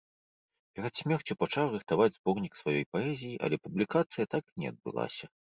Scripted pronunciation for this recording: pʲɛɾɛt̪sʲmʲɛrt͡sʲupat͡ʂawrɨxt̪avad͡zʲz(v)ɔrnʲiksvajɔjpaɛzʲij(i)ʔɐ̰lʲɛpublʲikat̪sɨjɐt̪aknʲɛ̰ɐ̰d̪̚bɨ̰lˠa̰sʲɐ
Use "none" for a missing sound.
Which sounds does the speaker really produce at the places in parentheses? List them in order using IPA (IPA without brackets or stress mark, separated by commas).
b, i